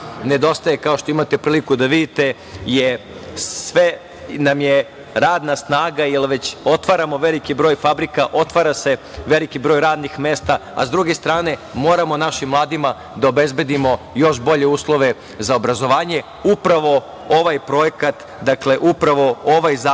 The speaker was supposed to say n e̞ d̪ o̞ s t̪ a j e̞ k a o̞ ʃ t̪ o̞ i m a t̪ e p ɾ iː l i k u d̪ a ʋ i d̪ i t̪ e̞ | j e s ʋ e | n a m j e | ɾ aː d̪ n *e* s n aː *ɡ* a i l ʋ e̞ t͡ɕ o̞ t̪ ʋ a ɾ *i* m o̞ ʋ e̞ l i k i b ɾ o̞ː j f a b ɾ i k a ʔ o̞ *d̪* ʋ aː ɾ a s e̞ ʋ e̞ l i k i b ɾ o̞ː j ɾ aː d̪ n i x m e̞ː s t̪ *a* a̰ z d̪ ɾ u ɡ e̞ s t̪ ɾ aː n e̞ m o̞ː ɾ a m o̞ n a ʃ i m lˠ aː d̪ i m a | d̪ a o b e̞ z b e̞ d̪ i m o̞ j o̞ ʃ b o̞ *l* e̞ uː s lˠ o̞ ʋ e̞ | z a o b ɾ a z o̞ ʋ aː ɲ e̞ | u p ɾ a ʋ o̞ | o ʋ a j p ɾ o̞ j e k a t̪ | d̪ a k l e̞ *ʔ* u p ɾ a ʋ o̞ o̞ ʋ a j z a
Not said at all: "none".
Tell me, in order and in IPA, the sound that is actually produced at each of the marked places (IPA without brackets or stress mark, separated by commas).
a, ɡ, a, t̪, a, ʎ, ʔ